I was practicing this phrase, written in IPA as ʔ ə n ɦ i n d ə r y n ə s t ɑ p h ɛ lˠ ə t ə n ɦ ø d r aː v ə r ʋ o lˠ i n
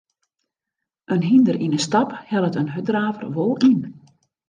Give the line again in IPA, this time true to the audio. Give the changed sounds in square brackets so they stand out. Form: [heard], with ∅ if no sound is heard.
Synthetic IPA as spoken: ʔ ə n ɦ i n d ə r [i] n ə s t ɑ p h ɛ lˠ ə t ə n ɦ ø d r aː v ə r ʋ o lˠ i n